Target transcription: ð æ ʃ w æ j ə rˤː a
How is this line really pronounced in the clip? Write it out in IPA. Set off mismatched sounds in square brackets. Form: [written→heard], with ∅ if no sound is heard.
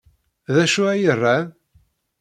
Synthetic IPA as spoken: ð æ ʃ [w→u] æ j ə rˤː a